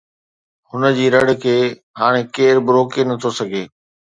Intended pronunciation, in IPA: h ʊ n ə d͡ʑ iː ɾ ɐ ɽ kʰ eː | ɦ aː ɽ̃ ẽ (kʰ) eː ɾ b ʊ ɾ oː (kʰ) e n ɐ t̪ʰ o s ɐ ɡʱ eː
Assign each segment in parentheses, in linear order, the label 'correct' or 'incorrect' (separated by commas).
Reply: incorrect, incorrect